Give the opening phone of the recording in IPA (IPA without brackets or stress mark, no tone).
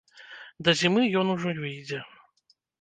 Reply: d̪